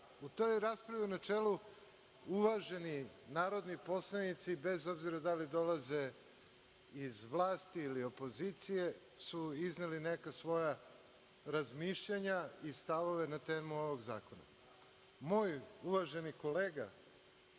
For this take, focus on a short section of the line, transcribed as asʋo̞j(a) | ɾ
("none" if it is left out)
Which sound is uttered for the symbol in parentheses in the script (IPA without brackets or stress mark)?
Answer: a